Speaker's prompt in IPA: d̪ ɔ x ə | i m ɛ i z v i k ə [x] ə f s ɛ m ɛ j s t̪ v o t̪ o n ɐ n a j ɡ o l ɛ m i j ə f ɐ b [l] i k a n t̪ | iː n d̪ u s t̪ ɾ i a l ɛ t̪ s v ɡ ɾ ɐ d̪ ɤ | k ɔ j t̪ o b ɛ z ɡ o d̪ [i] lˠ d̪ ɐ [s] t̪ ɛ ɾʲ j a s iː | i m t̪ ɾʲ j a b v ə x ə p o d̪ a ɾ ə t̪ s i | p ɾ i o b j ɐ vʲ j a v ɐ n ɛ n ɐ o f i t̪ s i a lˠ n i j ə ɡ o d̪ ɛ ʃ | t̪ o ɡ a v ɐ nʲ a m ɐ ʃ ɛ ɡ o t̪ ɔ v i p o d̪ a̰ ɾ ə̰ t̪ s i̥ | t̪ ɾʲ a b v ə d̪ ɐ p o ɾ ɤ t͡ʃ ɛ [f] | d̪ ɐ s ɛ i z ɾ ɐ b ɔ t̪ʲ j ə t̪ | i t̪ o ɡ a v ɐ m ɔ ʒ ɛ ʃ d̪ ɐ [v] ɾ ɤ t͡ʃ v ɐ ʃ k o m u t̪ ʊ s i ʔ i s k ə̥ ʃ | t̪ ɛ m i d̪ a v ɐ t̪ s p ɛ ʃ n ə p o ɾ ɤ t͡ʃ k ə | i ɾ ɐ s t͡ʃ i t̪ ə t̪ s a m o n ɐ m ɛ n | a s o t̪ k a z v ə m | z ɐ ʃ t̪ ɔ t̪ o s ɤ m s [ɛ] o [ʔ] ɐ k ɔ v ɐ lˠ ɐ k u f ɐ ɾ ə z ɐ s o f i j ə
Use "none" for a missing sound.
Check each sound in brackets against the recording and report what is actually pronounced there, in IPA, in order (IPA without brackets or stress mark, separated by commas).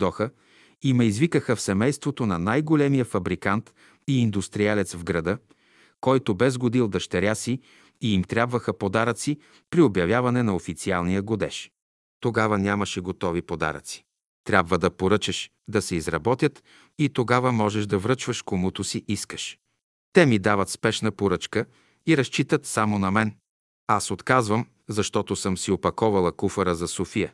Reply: x, ɾ, i, ʃ, ʃ, v, i, p